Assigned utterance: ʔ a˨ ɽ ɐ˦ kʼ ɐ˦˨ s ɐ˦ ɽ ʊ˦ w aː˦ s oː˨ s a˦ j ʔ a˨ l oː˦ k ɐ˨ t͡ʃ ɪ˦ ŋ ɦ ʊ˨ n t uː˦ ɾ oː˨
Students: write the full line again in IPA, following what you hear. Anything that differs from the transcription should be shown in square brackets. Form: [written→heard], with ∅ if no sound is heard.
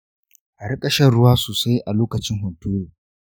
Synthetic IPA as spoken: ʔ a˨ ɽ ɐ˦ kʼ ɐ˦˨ [s→ʃ] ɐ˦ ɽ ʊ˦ w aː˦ s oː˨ s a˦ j ʔ a˨ l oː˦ k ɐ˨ t͡ʃ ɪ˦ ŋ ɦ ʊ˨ n t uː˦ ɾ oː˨

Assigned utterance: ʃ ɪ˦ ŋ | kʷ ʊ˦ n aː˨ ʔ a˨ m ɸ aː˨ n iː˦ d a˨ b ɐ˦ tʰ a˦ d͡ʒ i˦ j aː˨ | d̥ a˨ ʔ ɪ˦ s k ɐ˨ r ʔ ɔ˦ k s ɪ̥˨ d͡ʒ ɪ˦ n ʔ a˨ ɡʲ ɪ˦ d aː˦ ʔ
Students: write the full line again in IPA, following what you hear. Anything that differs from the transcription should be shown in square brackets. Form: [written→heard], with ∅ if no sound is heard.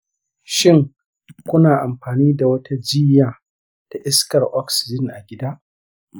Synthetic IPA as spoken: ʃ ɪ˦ ŋ | kʷ ʊ˦ n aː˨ ʔ a˨ m ɸ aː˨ n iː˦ d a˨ [b→w] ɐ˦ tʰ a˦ d͡ʒ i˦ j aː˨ | d̥ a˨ ʔ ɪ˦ s k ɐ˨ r ʔ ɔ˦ k s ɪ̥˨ d͡ʒ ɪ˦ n ʔ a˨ ɡʲ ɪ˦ d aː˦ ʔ

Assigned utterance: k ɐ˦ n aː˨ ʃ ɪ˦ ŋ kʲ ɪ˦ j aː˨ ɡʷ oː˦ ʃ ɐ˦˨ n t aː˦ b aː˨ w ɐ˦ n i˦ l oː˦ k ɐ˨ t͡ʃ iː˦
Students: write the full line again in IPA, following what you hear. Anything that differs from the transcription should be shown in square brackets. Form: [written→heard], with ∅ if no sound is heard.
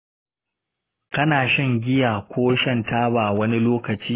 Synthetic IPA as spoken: k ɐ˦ n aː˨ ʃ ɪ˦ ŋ [kʲ→ɡʲ] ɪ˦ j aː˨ [ɡʷ→kʷ] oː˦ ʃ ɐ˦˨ n t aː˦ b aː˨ w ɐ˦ n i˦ l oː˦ k ɐ˨ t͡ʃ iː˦

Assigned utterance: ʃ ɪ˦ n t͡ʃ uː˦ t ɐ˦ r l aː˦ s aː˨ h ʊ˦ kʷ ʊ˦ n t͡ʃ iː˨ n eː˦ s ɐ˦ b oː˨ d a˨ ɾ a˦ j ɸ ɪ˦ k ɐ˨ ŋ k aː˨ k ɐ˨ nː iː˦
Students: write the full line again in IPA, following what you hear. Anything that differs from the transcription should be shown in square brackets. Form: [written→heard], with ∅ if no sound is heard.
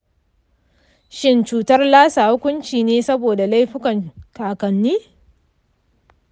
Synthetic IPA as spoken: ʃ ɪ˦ n t͡ʃ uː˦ t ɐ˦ r l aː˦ s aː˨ h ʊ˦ kʷ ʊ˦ n t͡ʃ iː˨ n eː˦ s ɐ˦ b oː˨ d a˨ [ɾ→l] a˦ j ɸ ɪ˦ k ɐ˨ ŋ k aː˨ k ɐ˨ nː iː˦

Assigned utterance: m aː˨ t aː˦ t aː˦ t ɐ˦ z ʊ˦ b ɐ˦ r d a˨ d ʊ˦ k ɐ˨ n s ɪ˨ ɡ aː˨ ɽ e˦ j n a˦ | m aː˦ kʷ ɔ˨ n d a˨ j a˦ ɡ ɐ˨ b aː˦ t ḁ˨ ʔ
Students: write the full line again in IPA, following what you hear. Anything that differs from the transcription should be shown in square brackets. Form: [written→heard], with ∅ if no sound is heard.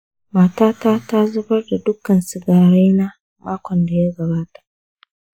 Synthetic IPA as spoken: m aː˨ t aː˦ t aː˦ t [ɐ˦→a˦] z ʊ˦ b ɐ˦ r d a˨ d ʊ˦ k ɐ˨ n s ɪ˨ ɡ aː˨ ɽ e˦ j n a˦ | m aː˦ kʷ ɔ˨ n d a˨ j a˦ ɡ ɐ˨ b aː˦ t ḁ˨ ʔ

